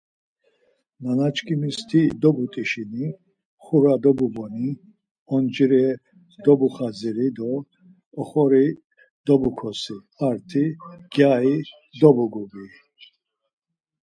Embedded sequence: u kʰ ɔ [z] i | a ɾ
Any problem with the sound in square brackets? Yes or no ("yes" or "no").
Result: yes